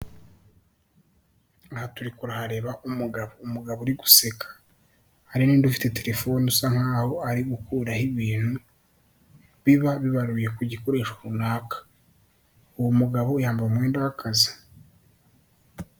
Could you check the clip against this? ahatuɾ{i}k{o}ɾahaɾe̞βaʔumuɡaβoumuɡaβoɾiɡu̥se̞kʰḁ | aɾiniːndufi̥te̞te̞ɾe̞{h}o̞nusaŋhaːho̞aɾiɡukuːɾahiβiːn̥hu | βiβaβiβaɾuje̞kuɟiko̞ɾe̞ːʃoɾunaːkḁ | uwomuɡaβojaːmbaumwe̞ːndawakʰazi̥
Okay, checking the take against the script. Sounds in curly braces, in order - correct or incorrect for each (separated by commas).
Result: correct, incorrect, incorrect